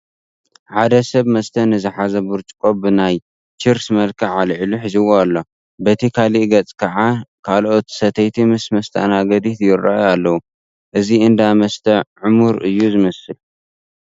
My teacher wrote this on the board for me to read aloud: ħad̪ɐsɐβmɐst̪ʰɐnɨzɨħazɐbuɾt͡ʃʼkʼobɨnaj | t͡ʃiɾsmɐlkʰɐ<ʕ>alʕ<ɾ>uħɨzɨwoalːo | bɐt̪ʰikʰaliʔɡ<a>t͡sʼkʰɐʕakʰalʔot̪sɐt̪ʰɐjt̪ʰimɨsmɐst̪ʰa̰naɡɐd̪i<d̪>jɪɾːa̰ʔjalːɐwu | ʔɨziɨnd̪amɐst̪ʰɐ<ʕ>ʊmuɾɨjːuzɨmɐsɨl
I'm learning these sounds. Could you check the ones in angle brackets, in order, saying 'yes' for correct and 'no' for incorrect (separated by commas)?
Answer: yes, no, no, no, yes